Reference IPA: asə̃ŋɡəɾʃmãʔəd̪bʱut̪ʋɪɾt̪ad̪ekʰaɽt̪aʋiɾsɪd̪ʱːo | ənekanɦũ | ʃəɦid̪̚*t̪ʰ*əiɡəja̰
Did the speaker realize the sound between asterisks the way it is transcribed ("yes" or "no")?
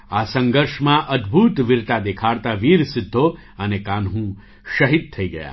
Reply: yes